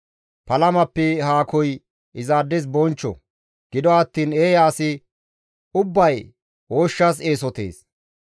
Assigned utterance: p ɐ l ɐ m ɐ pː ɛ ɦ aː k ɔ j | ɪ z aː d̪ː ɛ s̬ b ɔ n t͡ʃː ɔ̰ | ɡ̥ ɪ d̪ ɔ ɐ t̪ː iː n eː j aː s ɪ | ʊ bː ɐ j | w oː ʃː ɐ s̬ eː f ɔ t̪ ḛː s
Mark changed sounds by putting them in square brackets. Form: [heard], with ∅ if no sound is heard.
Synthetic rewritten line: p ɐ l ɐ m ɐ pː ɛ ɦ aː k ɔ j | ɪ z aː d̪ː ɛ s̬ b ɔ n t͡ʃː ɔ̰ | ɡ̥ ɪ d̪ ɔ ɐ t̪ː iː n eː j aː s ɪ | ʊ bː ɐ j | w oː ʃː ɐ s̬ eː [s] ɔ t̪ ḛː s